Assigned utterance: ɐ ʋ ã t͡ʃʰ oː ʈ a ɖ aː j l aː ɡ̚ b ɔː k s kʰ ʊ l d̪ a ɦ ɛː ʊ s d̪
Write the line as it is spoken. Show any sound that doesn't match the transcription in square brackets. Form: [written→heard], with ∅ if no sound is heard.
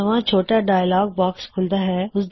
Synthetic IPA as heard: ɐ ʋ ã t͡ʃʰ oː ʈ a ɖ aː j l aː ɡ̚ b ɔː k s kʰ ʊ l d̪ a ɦ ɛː ʊ s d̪